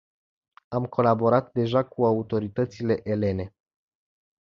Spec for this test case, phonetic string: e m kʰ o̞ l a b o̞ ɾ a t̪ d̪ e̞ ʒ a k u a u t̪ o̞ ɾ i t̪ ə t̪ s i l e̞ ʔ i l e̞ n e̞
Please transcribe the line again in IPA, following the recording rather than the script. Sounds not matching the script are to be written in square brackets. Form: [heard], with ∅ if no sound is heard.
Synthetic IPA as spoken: [a] m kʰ o̞ l a b o̞ ɾ a t̪ d̪ e̞ ʒ a k u a u t̪ o̞ ɾ i t̪ ə t̪ s i l e̞ ʔ [e] l e̞ n e̞